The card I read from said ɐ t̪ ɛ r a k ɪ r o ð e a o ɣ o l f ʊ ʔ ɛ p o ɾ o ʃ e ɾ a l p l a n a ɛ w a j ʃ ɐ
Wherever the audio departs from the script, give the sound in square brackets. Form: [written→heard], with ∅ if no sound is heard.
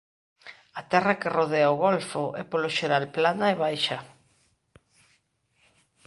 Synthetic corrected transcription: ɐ t̪ ɛ r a k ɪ r o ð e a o ɣ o l f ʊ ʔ ɛ p o [ɾ→l] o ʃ e ɾ a l p l a n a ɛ [w→β] a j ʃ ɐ